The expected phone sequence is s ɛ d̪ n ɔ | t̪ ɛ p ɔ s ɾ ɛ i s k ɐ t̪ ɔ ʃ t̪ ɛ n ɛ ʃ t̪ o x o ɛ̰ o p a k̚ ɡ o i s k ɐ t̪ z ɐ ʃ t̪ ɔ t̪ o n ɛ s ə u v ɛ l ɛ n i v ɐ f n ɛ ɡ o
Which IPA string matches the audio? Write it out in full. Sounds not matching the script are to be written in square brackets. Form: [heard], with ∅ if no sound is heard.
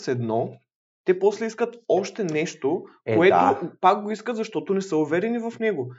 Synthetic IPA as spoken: s ɛ d̪ n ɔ | t̪ ɛ p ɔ s [l] ɛ i s k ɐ t̪ ɔ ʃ t̪ ɛ n ɛ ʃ t̪ o [k] o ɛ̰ o p a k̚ ɡ o i s k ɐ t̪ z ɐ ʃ t̪ ɔ t̪ o n ɛ s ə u v ɛ [ɾ] ɛ n i v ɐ f n ɛ ɡ o